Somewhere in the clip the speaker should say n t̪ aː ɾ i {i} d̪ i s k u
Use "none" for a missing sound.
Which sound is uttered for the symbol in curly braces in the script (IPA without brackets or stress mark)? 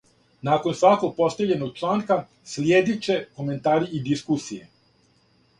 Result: i